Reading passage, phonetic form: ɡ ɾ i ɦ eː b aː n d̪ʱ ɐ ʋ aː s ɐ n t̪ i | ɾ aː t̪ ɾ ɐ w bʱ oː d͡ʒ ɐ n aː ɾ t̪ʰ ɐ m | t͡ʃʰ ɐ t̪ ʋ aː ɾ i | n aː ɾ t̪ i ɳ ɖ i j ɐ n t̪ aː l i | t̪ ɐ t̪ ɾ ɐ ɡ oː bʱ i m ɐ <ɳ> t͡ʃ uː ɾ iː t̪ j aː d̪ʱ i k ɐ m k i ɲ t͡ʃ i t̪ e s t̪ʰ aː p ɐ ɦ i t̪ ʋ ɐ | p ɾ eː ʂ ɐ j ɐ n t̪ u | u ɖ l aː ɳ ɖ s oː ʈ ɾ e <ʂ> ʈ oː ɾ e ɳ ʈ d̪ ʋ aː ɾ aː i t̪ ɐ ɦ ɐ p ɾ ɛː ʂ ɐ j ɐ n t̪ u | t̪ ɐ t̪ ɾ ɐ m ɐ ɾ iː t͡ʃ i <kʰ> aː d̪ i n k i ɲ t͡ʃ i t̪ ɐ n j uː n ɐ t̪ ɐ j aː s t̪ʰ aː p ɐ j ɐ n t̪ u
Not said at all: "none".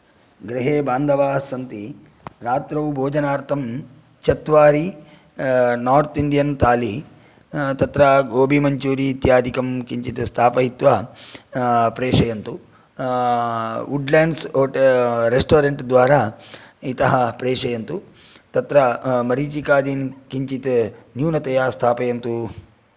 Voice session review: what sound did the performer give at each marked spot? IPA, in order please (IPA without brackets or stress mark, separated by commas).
ɲ, s, k